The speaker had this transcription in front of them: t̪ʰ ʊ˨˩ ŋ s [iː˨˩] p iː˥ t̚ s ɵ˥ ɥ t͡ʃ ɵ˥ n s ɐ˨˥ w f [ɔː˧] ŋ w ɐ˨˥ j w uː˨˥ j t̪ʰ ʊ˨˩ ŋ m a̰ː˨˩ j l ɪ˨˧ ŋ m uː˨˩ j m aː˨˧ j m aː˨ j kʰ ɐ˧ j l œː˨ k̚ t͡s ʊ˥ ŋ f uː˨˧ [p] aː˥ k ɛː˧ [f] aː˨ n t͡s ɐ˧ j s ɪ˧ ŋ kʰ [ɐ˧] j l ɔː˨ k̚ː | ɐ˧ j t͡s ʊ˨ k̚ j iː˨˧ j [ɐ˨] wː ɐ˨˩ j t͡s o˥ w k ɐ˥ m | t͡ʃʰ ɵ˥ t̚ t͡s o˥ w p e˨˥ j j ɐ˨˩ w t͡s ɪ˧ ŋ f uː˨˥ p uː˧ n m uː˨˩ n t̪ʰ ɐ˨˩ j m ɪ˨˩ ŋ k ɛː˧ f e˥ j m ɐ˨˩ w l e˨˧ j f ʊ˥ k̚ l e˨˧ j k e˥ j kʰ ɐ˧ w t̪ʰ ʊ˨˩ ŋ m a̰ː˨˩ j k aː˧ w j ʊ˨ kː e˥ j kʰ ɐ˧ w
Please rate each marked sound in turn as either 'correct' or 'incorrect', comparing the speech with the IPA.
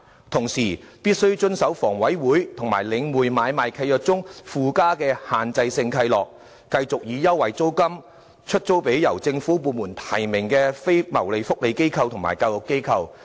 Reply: correct, incorrect, incorrect, incorrect, correct, incorrect

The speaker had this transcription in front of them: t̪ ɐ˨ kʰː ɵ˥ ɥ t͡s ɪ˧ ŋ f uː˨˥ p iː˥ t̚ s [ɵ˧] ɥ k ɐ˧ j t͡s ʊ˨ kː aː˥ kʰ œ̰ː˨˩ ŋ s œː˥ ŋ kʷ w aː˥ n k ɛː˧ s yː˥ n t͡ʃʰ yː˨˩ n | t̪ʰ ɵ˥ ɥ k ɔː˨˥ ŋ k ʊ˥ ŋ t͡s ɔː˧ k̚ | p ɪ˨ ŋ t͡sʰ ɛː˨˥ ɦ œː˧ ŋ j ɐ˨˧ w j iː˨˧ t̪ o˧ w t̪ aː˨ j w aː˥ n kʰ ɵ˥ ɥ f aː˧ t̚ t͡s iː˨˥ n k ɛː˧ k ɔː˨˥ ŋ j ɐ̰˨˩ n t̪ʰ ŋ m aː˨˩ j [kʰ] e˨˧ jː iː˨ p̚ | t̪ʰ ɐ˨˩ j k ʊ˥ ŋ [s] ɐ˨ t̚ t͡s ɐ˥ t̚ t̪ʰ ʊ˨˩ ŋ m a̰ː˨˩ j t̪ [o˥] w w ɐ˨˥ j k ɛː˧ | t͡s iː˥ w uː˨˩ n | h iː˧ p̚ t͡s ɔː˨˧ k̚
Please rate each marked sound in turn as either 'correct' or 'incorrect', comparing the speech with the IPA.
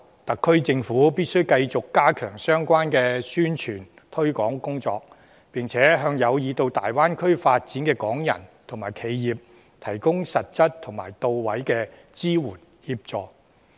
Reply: incorrect, correct, correct, incorrect

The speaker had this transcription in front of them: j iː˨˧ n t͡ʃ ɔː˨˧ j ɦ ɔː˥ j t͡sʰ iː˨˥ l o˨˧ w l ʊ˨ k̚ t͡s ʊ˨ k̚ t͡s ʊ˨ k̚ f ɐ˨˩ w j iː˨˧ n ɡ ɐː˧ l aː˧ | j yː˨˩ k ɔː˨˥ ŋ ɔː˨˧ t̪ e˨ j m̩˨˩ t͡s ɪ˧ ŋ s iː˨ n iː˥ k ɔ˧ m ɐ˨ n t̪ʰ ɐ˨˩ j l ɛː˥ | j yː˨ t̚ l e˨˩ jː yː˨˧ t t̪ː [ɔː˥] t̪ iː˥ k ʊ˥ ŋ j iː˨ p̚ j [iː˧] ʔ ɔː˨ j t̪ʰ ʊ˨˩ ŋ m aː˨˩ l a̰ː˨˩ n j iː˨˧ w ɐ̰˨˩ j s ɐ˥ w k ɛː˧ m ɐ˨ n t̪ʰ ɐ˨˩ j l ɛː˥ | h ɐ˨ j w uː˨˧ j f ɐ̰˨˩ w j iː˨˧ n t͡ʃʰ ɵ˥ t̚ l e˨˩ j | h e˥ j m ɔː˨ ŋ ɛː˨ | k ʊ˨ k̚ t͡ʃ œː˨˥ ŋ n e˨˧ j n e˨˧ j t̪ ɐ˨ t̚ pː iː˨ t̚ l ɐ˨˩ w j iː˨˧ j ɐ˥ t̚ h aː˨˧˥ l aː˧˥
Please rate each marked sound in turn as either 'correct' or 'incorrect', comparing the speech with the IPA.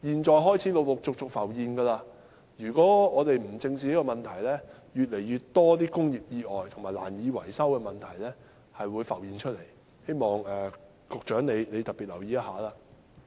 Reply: correct, correct

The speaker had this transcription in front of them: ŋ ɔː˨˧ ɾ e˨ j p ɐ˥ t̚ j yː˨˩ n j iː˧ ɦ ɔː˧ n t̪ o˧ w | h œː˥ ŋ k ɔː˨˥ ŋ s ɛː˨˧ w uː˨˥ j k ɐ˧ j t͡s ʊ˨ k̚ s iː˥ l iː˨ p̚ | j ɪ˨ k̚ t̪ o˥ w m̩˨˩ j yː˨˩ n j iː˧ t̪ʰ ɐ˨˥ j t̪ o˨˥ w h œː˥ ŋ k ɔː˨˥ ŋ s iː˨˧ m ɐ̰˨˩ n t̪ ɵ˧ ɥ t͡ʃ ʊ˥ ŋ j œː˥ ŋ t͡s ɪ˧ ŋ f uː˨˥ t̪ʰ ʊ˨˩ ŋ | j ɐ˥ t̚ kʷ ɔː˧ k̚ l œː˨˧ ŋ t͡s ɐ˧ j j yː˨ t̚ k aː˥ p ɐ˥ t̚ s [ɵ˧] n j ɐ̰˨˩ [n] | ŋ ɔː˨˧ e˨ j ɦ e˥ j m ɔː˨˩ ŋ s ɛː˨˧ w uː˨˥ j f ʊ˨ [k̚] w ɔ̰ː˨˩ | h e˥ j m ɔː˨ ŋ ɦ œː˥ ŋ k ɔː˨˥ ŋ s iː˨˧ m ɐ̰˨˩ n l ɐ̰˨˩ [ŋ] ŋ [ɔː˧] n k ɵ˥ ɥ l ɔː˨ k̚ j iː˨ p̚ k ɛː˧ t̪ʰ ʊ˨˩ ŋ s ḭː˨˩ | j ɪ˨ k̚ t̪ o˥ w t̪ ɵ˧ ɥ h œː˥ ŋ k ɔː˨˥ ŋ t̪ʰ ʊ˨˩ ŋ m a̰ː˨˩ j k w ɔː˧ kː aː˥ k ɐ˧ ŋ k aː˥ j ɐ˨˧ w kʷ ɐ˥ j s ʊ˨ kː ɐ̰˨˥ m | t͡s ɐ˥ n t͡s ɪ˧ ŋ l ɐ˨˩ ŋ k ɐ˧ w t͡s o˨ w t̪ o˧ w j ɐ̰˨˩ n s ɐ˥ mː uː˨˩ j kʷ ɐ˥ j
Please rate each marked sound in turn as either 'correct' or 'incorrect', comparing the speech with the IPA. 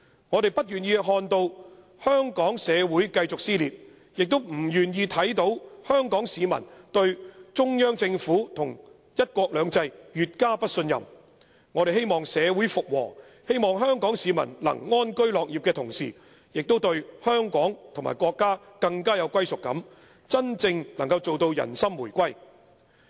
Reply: correct, incorrect, correct, correct, incorrect

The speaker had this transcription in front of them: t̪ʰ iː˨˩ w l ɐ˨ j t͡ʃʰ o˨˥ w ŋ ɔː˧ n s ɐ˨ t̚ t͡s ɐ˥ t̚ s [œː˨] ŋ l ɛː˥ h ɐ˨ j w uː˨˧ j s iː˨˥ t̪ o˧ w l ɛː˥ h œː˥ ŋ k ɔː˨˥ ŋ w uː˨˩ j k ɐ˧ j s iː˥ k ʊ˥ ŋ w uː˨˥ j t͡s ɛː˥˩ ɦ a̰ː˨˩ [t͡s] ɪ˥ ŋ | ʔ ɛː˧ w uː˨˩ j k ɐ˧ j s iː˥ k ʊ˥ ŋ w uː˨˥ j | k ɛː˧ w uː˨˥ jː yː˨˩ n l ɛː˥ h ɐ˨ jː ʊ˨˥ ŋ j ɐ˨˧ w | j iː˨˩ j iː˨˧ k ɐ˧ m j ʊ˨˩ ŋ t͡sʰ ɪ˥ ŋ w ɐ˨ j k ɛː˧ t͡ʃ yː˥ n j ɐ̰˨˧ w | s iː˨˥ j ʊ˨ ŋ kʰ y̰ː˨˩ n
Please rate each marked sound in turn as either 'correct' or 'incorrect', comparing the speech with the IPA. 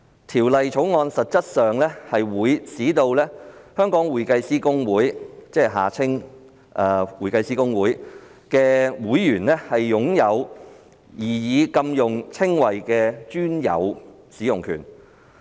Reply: correct, incorrect

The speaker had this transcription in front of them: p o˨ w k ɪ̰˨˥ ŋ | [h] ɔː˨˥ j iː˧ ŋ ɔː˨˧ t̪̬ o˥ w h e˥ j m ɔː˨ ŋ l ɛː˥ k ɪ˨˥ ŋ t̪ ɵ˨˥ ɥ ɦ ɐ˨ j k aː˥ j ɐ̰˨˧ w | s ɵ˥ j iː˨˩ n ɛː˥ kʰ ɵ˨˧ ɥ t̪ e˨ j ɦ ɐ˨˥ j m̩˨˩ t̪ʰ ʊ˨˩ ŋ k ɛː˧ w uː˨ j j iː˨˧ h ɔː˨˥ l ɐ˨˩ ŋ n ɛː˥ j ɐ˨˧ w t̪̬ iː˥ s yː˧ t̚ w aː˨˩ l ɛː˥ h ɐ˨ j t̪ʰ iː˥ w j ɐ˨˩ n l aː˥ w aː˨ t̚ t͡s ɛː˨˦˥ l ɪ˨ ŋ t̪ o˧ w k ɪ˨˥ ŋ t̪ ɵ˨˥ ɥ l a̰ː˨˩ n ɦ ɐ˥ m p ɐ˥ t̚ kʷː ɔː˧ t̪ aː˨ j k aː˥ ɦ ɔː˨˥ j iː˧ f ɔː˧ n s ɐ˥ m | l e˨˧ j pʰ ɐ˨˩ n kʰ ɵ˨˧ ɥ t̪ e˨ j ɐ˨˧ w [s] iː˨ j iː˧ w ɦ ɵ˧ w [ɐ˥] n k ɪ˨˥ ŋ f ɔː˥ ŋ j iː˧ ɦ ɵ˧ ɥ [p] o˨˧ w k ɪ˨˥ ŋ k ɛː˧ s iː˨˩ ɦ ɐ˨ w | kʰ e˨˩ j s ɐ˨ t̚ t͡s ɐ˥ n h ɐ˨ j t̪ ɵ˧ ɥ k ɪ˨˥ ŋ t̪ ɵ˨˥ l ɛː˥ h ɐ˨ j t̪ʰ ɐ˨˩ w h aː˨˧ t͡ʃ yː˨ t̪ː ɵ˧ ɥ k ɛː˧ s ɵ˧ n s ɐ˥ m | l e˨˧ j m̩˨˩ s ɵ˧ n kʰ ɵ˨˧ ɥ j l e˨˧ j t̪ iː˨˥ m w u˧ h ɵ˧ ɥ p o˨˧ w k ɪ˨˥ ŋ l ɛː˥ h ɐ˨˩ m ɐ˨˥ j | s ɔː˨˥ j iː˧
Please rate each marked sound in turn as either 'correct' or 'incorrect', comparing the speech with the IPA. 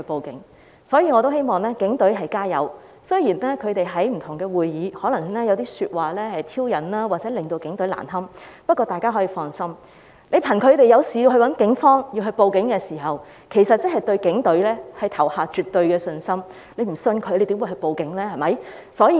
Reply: incorrect, correct, incorrect, correct

